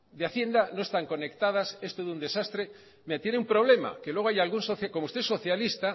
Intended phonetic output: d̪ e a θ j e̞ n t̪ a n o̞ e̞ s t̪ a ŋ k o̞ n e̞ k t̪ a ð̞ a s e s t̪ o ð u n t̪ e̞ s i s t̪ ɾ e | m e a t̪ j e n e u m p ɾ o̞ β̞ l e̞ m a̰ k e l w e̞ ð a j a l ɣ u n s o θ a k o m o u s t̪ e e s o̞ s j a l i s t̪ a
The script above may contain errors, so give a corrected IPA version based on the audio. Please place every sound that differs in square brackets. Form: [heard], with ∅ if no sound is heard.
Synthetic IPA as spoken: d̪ e a θ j e̞ n [d̪] a n o̞ e̞ s t̪ a ŋ k o̞ n e̞ k t̪ a ð̞ a s e s t̪ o ð u n [d̪] e̞ s [a] s t̪ ɾ e | m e a t̪ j e n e u m p ɾ o̞ β̞ l e̞ m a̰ k e l w e̞ [ɣ] a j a l ɣ u n s o θ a k o m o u s t̪ e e s o̞ [θ] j a l i s t̪ a